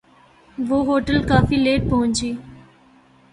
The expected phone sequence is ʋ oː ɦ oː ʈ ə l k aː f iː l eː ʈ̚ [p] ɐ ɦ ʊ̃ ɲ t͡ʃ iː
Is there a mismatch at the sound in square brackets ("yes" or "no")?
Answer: no